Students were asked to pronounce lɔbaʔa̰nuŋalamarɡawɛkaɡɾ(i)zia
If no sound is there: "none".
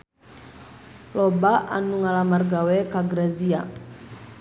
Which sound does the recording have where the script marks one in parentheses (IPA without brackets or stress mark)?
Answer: a